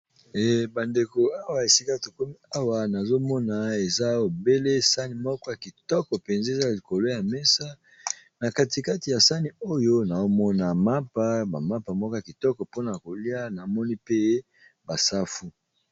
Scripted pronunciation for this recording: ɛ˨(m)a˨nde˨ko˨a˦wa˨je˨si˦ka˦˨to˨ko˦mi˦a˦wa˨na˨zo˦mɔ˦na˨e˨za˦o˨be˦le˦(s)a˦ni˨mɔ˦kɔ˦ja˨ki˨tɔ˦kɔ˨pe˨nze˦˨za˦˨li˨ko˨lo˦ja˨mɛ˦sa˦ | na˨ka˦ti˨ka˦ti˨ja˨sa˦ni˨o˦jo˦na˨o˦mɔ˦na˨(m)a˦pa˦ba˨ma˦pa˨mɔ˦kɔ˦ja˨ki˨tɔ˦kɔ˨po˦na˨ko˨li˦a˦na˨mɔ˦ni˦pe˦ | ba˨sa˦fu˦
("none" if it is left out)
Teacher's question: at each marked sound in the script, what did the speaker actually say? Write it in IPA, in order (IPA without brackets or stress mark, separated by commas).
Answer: b, s, m